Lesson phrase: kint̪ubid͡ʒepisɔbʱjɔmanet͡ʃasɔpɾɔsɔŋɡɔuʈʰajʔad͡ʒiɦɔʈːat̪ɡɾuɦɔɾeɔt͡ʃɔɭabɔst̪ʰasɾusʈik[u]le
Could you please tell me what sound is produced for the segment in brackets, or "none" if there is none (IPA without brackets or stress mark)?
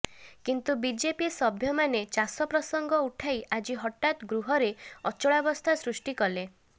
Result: ɔ